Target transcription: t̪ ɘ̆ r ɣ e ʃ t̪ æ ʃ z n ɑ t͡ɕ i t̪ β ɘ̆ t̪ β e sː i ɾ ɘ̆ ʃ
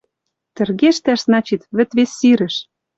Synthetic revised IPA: t̪ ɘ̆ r ɣ e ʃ t̪ æ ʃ z n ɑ t͡ɕ i t̪ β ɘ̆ t̪ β e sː i ɾ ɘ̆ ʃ